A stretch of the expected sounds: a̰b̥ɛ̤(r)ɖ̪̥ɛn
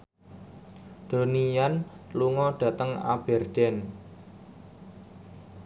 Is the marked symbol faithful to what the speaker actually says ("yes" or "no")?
yes